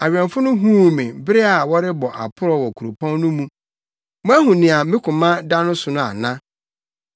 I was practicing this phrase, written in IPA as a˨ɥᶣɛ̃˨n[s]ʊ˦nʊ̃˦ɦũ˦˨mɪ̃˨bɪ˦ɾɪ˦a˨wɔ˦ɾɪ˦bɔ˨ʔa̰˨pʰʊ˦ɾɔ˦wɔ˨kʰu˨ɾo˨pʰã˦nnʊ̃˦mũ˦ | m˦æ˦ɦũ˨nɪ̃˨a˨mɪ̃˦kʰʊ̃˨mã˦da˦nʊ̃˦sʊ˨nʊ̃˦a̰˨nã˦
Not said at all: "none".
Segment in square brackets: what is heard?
f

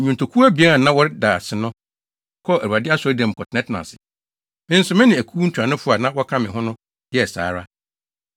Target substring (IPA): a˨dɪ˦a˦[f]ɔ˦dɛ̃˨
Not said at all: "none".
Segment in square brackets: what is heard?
s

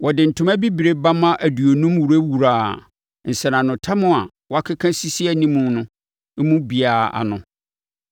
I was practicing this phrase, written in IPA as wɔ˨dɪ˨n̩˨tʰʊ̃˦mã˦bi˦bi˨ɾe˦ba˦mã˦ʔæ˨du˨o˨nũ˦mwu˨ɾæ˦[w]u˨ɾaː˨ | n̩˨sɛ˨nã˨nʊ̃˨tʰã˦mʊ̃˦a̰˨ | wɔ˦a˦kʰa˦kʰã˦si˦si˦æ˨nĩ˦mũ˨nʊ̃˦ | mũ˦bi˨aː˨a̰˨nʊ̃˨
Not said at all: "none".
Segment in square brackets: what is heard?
w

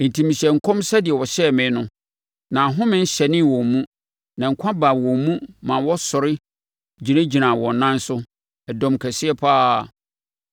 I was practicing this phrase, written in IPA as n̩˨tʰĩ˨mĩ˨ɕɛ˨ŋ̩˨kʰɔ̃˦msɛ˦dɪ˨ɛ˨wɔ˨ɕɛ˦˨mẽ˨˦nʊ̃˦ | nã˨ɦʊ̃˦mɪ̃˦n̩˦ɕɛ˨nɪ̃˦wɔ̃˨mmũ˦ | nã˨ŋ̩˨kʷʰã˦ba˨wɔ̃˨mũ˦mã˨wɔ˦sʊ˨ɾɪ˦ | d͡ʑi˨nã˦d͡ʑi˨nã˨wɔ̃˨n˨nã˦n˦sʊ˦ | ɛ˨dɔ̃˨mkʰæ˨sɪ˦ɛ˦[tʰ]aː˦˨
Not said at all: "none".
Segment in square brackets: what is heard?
pʰ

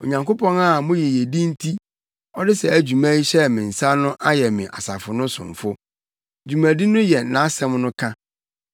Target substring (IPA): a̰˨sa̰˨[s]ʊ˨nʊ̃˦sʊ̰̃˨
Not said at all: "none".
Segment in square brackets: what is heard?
f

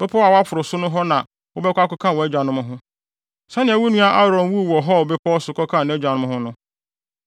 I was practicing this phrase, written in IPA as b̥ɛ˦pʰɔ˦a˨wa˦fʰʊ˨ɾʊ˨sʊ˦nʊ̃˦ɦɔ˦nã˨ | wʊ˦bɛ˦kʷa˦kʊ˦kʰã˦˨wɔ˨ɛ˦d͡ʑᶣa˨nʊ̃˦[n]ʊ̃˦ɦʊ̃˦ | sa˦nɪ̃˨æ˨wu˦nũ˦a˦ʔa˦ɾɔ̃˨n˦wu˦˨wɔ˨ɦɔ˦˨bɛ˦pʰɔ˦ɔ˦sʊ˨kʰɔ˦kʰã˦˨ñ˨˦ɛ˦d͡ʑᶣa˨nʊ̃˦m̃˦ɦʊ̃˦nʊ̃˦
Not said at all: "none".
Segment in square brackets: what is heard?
m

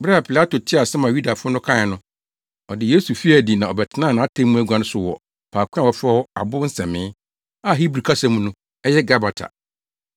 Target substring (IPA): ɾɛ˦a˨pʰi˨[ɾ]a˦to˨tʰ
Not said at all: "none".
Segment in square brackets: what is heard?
l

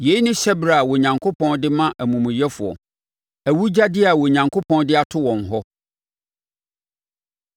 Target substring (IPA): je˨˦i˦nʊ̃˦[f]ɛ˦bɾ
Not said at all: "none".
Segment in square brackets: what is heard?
ɕ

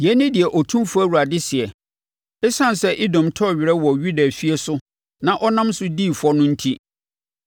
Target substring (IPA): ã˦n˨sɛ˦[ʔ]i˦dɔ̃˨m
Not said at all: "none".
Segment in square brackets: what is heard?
ʔ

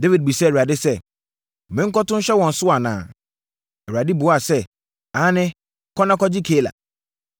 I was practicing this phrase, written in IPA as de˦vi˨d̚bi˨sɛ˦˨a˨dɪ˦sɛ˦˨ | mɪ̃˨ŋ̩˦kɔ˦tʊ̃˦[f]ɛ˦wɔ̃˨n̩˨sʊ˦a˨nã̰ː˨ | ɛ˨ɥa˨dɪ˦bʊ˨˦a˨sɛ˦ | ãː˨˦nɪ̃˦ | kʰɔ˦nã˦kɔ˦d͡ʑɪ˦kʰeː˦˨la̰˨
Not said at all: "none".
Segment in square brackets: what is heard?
ɕ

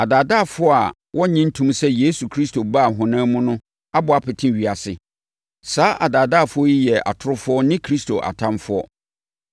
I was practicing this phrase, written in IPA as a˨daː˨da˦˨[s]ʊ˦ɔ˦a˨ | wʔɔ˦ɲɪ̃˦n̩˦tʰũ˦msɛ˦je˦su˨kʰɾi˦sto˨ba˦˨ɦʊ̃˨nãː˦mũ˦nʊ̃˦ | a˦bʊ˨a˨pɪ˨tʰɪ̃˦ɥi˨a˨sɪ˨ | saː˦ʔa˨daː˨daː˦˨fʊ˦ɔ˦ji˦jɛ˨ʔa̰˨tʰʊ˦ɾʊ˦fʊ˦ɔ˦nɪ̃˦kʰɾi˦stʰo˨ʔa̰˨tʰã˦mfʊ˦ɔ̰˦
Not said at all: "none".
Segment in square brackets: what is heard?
f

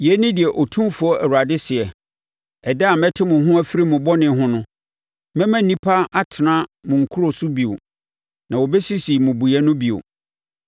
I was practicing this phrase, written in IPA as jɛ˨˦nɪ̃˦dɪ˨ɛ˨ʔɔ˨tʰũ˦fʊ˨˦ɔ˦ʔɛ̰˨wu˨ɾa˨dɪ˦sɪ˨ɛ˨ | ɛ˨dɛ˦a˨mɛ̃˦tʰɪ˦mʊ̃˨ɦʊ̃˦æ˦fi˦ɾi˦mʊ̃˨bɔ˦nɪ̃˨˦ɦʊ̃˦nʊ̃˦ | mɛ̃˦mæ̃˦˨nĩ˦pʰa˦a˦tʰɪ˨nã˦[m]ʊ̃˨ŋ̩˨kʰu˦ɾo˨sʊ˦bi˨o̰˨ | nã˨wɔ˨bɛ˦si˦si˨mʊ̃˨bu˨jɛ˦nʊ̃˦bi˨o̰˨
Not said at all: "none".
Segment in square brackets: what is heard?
m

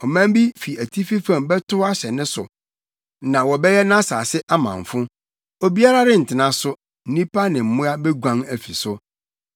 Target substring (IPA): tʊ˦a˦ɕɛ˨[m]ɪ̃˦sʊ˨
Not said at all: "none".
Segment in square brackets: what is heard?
n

